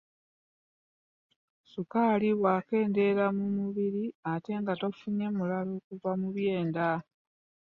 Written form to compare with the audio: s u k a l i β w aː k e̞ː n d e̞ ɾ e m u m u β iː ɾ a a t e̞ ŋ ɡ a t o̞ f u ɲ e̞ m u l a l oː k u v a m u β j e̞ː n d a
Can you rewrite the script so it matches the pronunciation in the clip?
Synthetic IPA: s u k a l i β w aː k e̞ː n d e̞ ɾ a m u m u β i ɾ i a t e̞ ŋ ɡ a t o̞ f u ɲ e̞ m u l a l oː k u v a m u β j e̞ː n d a

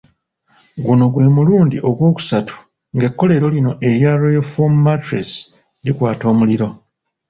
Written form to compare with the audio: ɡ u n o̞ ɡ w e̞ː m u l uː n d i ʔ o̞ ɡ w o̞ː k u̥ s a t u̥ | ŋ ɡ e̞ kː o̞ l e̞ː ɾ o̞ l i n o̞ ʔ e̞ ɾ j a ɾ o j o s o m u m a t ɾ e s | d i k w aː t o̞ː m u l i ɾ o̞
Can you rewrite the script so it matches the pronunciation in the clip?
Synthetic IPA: ɡ u n o̞ ɡ w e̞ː m u l uː n d i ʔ o̞ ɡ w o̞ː k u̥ s a t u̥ | ŋ ɡ e̞ kː o̞ l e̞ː ɾ o̞ l i n o̞ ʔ e̞ ɾ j a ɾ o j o f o m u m a t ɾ e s | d i k w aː t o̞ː m u l i ɾ o̞

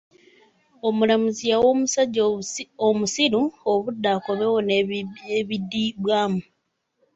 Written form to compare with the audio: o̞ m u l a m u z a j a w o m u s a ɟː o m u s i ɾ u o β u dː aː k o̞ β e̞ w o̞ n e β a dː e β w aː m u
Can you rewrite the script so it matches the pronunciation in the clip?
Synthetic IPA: o̞ m u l a m u z i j a w o m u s a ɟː o m u s i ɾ u o β u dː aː k o̞ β e̞ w o̞ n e β i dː i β w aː m u

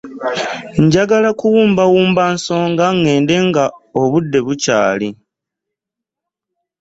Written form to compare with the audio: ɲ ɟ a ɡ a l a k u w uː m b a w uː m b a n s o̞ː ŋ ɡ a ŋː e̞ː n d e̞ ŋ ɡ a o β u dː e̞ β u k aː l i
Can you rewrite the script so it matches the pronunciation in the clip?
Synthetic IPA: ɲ ɟ a ɡ a l a k u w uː m b a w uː m b a n s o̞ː ŋ ɡ a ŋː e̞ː n d e̞ ŋ ɡ a o β u dː e̞ β u c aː l i

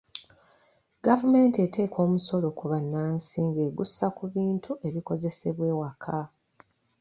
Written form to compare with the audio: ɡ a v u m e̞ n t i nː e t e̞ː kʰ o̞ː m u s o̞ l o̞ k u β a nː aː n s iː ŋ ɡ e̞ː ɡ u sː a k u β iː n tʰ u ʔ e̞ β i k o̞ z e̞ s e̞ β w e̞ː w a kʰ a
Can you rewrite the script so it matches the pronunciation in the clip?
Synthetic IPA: ɡ a v u m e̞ n t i e t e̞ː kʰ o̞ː m u s o̞ l o̞ k u β a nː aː n s iː ŋ ɡ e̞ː ɡ u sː a k u β iː n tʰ u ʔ e̞ β i k o̞ z e̞ s e̞ β w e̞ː w a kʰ a

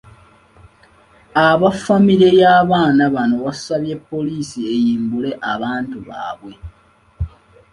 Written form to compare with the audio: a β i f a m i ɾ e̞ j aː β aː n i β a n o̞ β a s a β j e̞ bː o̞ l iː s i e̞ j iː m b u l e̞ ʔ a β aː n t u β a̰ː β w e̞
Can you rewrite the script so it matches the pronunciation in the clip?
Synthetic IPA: a β a f a m i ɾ e̞ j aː β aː n a β a n o̞ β a s a β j e̞ pː o̞ l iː s i e̞ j iː m b u l e̞ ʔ a β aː n t u β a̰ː β w e̞

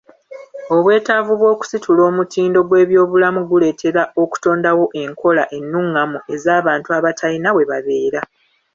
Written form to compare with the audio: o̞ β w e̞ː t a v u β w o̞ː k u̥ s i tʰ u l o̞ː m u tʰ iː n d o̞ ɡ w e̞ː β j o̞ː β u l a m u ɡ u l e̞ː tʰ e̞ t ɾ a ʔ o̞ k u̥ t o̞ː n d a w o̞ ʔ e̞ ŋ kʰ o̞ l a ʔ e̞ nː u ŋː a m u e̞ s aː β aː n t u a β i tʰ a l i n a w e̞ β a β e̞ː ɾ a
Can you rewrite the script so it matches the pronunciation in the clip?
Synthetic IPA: o̞ β w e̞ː t a v u β w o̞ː k u̥ s i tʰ u l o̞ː m u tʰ iː n d o̞ ɡ w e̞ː β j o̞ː β u l a m u ɡ u l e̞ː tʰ e̞ ɾ a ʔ o̞ k u̥ t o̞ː n d a w o̞ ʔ e̞ ŋ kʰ o̞ l a ʔ e̞ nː u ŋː a m u e̞ z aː β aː n t u a β a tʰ a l i n a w e̞ β a β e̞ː ɾ a

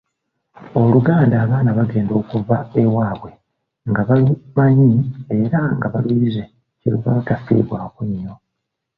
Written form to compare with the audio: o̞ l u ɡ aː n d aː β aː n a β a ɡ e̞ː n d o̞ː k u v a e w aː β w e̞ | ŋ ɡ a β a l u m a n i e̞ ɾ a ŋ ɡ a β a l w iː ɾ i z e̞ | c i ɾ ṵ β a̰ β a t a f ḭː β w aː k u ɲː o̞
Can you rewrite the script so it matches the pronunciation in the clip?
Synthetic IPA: o̞ l u ɡ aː n d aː β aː n a β a ɡ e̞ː n d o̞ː k u v a e w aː β w e̞ | ŋ ɡ a β a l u m a ɲ i e̞ ɾ a ŋ ɡ a β a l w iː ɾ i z e̞ | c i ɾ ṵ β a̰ β a t a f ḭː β w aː k u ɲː o̞

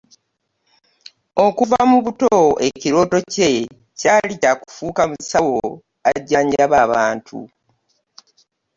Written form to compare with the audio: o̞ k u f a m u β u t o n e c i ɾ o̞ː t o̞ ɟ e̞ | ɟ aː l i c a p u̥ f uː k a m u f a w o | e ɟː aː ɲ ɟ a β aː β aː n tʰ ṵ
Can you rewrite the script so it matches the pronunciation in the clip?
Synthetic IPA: o̞ k u v a m u β u t o e c i ɾ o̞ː t o̞ c e̞ | c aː l i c a k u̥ f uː k a m u s a w o | a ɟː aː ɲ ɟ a β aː β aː n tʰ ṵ

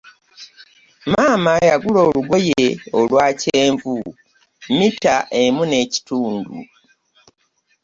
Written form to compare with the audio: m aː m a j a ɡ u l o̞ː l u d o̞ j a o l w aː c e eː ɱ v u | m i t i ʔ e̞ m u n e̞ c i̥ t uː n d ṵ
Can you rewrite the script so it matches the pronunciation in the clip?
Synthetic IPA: m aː m a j a ɡ u l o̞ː l u ɡ o̞ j e o l w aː c e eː ɱ v u | m i t a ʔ e̞ m u n e̞ c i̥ t uː n d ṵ

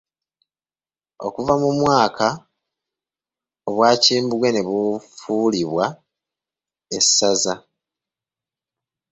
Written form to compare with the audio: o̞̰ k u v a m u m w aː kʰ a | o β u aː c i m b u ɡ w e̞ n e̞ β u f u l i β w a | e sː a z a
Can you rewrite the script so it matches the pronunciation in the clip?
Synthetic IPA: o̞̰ k u v a m u m w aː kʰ a | o β w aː c iː m b u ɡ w e̞ n e̞ β u f u l i β w a | e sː a z a

